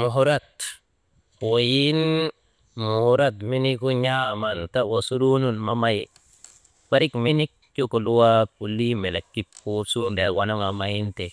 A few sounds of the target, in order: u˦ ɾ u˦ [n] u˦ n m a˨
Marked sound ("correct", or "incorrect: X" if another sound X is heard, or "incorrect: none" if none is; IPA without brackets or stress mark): correct